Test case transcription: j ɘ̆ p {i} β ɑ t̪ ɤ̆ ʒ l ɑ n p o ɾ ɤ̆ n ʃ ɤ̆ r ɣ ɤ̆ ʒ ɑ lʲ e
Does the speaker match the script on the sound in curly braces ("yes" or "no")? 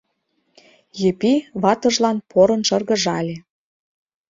yes